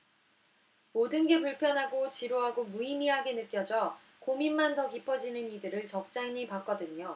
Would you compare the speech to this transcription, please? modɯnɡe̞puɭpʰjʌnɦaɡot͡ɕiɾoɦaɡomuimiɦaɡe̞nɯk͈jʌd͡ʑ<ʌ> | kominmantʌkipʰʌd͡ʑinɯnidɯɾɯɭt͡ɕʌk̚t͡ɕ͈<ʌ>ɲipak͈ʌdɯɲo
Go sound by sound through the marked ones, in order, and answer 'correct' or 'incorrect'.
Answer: correct, incorrect

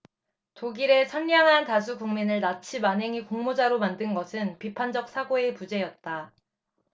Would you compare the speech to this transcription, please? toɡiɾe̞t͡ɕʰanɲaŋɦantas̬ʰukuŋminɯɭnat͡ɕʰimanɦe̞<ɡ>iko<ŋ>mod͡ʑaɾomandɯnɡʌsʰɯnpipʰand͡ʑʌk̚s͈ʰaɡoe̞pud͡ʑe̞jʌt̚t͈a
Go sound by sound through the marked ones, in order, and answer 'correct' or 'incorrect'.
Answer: incorrect, correct

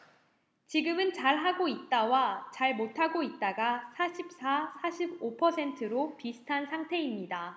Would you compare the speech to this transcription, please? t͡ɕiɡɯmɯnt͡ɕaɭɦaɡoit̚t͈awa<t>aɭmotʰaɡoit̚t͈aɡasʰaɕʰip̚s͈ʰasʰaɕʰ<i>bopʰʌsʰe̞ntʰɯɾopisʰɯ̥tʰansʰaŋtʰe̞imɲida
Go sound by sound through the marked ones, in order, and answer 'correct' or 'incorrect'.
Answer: incorrect, correct

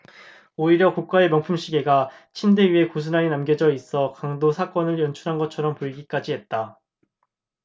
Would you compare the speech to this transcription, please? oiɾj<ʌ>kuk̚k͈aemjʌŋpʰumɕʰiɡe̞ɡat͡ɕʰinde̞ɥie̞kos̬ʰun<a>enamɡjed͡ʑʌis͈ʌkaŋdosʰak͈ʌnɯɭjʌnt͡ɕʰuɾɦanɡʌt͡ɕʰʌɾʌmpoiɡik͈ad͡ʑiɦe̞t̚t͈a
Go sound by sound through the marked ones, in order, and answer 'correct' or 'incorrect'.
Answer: correct, correct

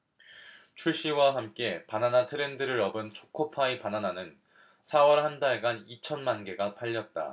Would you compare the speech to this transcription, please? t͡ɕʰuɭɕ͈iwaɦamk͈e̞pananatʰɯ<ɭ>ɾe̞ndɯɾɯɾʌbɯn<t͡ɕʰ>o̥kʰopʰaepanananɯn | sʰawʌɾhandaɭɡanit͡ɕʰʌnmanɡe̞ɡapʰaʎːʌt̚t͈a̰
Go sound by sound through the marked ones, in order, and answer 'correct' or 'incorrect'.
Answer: incorrect, correct

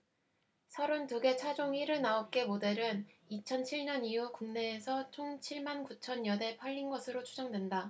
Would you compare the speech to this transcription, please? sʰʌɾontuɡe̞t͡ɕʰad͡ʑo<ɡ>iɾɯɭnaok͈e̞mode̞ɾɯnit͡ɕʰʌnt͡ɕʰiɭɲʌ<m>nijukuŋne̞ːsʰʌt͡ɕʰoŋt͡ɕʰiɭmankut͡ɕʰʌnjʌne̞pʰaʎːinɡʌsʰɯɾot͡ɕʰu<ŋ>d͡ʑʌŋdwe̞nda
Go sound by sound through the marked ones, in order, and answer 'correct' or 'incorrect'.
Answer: incorrect, incorrect, incorrect

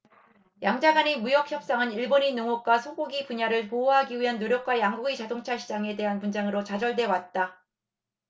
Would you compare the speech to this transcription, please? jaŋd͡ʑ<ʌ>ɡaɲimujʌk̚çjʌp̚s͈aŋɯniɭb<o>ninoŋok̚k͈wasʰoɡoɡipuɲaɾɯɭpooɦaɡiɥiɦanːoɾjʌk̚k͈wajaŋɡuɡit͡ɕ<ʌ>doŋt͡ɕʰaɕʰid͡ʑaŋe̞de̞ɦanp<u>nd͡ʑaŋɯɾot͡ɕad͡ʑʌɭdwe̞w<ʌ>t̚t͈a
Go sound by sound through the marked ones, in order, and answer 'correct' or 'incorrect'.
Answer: incorrect, correct, incorrect, correct, incorrect

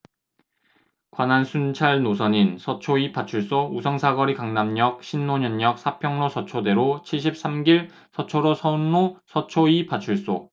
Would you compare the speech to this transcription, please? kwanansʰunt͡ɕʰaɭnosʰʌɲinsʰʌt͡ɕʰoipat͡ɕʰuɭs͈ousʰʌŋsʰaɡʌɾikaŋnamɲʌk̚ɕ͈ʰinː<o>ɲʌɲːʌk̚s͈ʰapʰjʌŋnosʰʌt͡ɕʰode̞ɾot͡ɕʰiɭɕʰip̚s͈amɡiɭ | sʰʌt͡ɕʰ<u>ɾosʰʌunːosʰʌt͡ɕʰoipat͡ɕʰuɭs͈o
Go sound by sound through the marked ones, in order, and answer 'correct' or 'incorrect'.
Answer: correct, incorrect

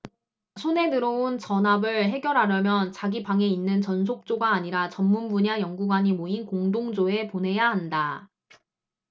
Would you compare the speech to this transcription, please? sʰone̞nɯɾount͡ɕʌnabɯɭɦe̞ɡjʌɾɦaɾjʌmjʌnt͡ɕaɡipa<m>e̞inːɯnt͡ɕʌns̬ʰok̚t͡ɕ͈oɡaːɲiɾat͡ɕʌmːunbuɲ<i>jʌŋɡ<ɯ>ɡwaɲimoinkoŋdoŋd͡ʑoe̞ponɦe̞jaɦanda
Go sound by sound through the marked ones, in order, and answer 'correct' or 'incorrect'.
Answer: incorrect, incorrect, incorrect

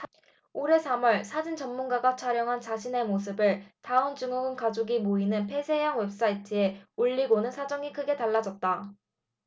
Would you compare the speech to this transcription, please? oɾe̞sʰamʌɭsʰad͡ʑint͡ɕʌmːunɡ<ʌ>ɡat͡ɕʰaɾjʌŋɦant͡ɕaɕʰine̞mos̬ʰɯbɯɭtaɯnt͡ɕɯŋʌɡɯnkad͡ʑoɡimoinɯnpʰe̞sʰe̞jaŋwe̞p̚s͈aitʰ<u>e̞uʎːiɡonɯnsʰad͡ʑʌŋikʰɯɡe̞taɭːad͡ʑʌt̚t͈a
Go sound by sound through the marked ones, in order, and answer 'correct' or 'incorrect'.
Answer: incorrect, incorrect

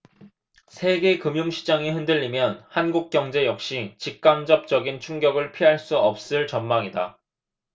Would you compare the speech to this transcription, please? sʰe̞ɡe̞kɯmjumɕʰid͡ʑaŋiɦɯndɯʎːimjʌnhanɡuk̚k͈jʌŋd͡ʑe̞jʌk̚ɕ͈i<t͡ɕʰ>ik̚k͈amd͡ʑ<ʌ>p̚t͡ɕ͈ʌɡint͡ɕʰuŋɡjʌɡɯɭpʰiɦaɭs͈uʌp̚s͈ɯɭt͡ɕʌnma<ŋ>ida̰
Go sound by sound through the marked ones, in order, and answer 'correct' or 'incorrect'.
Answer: incorrect, correct, correct

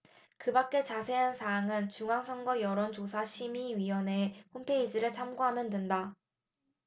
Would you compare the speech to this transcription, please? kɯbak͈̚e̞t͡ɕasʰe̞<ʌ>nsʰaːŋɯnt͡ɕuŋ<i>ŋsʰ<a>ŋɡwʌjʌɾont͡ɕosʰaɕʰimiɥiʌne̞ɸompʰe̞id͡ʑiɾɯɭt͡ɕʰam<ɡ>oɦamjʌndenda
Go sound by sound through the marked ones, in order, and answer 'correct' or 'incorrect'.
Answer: incorrect, incorrect, incorrect, correct

